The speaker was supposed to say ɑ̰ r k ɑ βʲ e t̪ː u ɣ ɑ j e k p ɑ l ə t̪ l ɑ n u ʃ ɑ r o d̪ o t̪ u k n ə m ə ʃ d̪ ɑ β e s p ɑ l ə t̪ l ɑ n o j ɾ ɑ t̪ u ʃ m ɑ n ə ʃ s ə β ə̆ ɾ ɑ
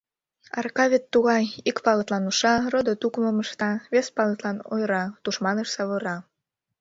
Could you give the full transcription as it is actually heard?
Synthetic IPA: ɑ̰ r k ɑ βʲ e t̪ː u ɣ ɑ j i k p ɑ l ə t̪ l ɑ n u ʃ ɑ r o d̪ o t̪ u k m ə m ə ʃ t̪ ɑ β e s p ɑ l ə t̪ l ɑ n o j ɾ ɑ t̪ u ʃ m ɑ n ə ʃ s ɑ β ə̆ ɾ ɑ